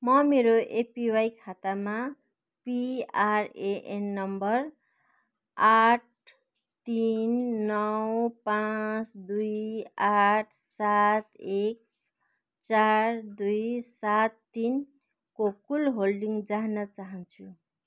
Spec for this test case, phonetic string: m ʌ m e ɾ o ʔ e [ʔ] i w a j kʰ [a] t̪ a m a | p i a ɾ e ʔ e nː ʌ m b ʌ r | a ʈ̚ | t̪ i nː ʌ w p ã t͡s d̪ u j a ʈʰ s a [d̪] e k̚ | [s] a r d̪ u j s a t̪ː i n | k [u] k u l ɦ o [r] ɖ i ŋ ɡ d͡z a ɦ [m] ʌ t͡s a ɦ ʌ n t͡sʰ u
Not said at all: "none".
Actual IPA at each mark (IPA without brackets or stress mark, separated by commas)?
p, a, t̪, t͡s, o, l, n